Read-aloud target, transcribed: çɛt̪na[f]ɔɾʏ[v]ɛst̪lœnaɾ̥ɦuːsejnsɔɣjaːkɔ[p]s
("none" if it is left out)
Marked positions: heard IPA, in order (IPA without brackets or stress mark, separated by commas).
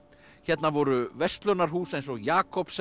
v, v, p